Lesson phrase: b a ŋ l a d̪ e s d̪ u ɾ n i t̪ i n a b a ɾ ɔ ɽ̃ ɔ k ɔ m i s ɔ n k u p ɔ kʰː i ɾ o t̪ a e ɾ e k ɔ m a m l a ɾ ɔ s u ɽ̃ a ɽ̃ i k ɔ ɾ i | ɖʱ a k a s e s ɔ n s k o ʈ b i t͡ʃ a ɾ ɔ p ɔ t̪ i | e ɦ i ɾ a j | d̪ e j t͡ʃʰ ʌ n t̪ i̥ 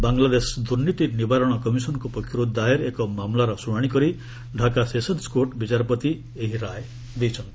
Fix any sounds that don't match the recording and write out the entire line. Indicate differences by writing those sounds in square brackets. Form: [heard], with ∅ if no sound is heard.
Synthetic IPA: b a ŋ l a d̪ e s d̪ u ɾ n i t̪ i n [i] b a ɾ ɔ ɽ̃ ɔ k ɔ m i s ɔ n k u p ɔ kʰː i ɾ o [d̪] a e ɾ e k ɔ m a m l a ɾ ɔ s u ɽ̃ a ɽ̃ i k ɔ ɾ i | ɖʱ a k a s e s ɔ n s k o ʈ b i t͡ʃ a ɾ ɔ p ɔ t̪ i | e ɦ i ɾ a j | d̪ e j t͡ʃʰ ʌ n t̪ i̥

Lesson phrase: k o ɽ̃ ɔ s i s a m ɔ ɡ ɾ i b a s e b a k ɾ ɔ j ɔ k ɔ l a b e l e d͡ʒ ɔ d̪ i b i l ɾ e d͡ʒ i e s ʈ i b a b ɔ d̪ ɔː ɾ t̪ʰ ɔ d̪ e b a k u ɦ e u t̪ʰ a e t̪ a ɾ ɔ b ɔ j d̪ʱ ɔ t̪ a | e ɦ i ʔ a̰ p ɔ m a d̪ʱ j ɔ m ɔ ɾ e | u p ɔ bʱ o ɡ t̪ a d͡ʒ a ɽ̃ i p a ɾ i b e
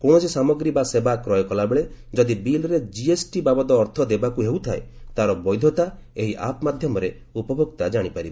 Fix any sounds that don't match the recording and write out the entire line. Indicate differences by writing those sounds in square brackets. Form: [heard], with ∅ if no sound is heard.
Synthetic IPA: k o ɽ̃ ɔ s i s a m ɔ ɡ ɾ i b a s e b a k ɾ ɔ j ɔ k ɔ l a b e [ɭ] e d͡ʒ ɔ d̪ i b i l ɾ e d͡ʒ i e s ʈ i b a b ɔ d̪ ɔː ɾ t̪ʰ ɔ d̪ e b a k u ɦ e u t̪ʰ a e t̪ a ɾ ɔ b ɔ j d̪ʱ ɔ t̪ a | e ɦ i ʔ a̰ p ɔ m a d̪ʱ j ɔ m ɔ ɾ e | u p ɔ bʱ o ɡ t̪ a d͡ʒ a ɽ̃ i p a ɾ i b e

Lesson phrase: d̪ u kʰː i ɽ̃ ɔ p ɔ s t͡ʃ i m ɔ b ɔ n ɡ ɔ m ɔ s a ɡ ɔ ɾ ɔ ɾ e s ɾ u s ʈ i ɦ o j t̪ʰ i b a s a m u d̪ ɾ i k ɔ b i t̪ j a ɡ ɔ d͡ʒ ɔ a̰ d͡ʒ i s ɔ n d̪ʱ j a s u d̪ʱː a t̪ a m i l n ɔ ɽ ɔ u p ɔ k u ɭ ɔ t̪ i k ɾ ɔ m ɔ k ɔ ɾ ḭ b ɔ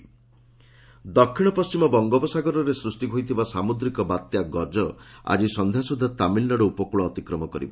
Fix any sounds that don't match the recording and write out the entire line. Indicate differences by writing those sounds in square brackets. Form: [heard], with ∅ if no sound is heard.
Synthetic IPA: d̪ [ɔ] kʰː i ɽ̃ ɔ p ɔ s t͡ʃ i m ɔ b ɔ [ŋ] ɡ ɔ [b] ɔ s a ɡ ɔ ɾ ɔ ɾ e s ɾ u s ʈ i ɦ o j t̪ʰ i b a s a m u d̪ ɾ i k ɔ b [a] t̪ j a ɡ ɔ d͡ʒ ɔ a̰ d͡ʒ i s ɔ n d̪ʱ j a s u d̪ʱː a t̪ a m i l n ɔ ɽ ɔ u p ɔ k u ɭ [ɔː] t̪ i k ɾ ɔ m ɔ k ɔ ɾ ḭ b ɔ

